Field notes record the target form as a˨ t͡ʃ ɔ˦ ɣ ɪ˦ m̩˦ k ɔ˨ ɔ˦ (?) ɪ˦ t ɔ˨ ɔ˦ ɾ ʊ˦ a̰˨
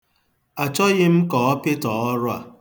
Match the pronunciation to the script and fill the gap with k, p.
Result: p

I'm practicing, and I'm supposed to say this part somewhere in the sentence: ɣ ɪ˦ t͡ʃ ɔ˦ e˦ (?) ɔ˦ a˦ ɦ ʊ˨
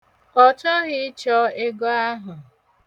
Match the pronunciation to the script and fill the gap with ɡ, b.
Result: ɡ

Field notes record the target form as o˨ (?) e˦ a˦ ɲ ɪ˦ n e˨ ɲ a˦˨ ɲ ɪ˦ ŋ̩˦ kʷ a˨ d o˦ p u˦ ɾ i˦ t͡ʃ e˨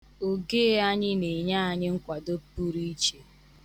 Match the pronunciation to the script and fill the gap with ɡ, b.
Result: ɡ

